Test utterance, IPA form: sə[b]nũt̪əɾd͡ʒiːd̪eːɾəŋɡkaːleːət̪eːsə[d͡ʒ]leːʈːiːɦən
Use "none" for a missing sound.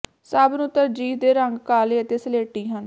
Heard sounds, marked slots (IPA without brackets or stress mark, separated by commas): b, none